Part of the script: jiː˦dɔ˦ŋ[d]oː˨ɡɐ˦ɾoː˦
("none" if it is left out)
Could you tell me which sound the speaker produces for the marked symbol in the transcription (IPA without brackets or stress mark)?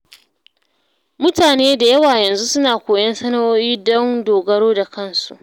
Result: d